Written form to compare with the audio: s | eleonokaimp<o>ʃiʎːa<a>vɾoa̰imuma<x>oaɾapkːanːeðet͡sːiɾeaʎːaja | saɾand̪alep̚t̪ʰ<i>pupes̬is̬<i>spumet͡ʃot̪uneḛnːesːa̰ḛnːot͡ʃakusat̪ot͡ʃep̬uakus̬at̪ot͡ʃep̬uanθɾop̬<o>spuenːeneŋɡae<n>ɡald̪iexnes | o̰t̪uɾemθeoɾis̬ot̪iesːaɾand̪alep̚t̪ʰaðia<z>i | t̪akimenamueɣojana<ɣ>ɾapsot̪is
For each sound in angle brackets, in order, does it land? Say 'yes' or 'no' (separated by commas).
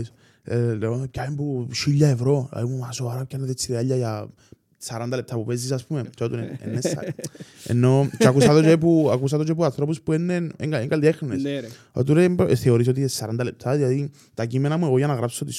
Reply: no, no, no, no, no, no, no, no, yes